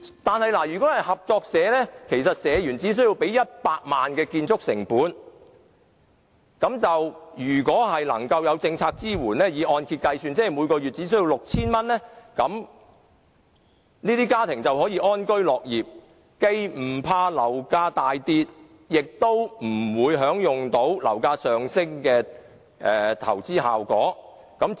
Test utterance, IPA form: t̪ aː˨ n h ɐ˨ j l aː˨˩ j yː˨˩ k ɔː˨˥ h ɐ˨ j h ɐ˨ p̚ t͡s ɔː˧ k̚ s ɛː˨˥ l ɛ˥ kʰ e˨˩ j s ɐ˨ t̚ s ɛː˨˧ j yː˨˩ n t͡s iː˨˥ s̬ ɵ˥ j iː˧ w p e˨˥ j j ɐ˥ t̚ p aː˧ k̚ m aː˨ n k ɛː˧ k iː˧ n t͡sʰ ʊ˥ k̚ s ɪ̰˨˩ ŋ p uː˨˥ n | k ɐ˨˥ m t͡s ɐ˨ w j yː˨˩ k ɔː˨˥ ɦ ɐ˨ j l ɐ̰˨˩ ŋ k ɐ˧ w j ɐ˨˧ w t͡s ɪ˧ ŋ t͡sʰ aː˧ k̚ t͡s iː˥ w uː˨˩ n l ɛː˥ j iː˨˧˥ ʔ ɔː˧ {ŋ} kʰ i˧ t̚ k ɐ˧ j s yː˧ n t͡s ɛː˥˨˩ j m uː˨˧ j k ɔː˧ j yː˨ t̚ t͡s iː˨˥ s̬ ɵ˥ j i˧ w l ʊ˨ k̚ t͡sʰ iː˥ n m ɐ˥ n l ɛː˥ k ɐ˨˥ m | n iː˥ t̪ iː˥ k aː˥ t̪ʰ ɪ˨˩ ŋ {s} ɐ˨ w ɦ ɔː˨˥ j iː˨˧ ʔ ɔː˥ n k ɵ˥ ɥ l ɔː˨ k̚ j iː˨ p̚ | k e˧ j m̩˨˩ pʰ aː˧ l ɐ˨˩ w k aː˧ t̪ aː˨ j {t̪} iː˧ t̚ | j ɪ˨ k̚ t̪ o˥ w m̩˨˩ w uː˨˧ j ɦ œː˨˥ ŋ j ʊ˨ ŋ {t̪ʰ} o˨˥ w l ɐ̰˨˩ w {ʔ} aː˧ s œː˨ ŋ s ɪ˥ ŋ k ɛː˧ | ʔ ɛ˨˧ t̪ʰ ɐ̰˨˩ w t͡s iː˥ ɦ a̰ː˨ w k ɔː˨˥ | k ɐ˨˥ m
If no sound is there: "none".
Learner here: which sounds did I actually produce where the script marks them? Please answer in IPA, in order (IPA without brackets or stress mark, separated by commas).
n, t͡s, t̪, t̪, k